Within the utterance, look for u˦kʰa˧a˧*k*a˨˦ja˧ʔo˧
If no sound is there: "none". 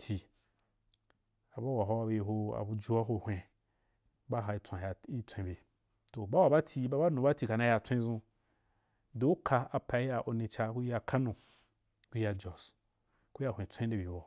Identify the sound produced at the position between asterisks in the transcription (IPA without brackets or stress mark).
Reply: p